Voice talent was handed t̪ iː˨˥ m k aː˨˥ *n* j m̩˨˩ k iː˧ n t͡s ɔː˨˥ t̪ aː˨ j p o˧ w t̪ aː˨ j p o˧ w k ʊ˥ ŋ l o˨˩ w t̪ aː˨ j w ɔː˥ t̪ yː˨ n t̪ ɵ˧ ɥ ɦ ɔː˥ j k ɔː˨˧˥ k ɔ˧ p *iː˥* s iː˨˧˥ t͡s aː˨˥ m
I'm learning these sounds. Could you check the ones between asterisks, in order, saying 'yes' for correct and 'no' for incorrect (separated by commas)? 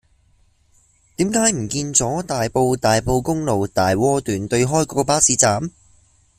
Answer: no, no